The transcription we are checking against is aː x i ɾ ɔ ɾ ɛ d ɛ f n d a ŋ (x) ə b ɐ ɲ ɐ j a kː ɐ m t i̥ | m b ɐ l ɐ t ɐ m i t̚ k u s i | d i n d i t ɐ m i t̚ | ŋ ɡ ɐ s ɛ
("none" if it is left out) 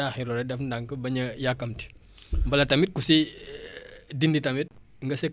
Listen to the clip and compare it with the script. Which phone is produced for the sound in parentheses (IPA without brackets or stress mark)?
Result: k